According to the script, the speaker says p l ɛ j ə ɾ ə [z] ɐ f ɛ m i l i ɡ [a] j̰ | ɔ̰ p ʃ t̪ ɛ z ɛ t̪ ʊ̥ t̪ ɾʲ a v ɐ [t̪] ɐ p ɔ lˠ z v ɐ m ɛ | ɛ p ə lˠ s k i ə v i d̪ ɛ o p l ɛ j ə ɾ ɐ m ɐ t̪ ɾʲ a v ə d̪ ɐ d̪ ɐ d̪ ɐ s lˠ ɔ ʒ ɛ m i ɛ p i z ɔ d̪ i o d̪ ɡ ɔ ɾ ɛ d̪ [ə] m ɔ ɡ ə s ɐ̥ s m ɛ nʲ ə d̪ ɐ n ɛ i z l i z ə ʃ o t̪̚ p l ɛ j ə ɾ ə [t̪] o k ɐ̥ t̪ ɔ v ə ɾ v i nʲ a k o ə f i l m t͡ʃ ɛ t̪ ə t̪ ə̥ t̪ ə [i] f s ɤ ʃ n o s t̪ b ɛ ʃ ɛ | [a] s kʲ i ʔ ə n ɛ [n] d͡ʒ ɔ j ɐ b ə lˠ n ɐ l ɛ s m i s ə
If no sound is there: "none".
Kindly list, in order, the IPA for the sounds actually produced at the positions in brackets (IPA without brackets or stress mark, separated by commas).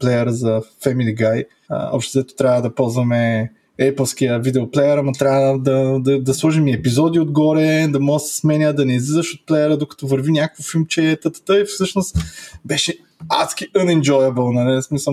z, a, d̪, ɐ, d̪, i, a, n